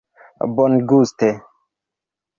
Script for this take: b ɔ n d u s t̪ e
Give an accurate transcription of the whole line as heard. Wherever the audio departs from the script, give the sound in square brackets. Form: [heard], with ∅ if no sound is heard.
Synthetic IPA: b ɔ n [ɡ] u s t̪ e